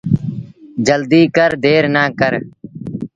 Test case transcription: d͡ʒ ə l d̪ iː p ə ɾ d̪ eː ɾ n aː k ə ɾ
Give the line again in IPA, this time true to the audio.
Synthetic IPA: d͡ʒ ə l d̪ iː k ə ɾ d̪ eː ɾ n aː k ə ɾ

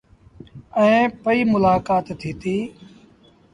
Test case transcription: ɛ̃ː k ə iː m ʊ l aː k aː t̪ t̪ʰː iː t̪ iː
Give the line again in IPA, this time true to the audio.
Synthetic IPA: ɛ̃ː p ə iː m ʊ l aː k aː t̪ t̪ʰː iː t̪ iː

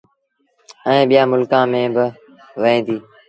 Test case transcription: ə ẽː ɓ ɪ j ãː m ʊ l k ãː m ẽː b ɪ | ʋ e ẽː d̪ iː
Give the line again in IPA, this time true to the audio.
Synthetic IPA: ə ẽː ɓ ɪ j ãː m ʊ l k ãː m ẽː b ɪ | ʋ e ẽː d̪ iː

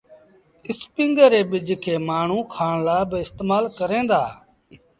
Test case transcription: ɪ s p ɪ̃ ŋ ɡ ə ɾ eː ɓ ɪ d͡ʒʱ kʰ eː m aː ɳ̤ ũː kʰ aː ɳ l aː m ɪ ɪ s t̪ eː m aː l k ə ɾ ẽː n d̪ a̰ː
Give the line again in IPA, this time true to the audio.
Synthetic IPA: ɪ s p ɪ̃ ŋ ɡ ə ɾ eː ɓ ɪ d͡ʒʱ kʰ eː m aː ɳ̤ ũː kʰ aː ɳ l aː b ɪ ɪ s t̪ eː m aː l k ə ɾ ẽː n d̪ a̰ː

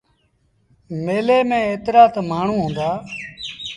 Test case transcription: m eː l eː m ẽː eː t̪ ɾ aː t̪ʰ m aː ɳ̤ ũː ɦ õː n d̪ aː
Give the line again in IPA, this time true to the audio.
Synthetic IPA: m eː l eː m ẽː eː t̪ ɾ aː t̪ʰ m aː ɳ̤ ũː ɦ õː n d̪ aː

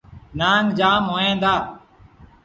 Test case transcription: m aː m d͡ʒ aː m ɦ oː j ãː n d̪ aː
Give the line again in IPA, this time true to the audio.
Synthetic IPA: n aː ŋ d͡ʒ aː m ɦ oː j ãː n d̪ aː

